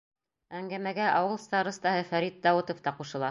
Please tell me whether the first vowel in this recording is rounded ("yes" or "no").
no